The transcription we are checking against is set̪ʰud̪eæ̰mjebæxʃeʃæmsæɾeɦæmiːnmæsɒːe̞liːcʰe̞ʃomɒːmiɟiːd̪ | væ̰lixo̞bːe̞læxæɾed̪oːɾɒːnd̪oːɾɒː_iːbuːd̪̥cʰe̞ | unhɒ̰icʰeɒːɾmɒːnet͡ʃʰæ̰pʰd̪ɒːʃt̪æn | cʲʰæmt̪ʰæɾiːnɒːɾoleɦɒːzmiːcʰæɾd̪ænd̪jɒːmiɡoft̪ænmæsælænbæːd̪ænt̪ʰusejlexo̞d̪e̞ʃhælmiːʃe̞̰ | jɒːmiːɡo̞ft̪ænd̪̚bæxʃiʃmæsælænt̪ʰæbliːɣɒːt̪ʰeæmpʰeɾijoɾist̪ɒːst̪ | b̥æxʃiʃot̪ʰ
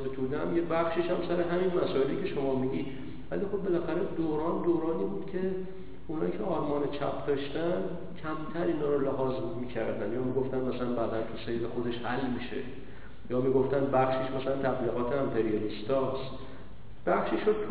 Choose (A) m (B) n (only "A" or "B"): B